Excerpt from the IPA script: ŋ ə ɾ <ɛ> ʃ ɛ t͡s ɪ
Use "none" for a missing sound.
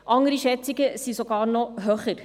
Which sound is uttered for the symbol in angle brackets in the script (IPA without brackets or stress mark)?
i